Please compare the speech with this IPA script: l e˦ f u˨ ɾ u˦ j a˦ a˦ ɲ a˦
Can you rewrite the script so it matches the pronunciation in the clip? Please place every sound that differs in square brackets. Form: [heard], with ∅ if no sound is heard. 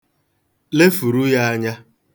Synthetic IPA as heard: l e˦ f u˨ ɾ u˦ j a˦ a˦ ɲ a˦